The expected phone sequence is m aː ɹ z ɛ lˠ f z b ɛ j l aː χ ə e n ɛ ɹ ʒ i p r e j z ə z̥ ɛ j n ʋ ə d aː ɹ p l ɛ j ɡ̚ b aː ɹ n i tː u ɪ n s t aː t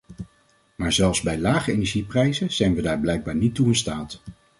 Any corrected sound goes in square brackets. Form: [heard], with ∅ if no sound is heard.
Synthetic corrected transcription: m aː ɹ z ɛ lˠ f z b ɛ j l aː χ ə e n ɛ ɹ ʒ i p r [ɛ] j z ə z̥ ɛ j n ʋ ə d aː ɹ [b] l ɛ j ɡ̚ b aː ɹ n i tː u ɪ n s t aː t